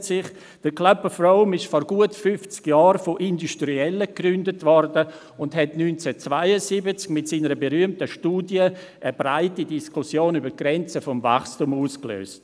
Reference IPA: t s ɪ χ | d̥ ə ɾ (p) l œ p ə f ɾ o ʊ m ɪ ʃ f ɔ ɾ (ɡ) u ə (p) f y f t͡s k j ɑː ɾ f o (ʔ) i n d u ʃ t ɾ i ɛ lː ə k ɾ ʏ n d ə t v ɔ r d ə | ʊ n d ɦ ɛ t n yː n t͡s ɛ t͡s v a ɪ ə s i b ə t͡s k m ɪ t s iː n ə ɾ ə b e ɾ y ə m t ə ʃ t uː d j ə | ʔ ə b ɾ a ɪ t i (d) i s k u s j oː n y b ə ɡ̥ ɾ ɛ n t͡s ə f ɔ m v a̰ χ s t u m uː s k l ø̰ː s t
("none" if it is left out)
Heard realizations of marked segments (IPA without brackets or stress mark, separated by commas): k, ɡ, t, ʔ, d